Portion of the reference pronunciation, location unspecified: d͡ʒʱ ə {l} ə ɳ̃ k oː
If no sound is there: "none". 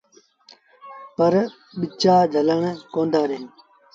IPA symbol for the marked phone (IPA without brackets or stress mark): l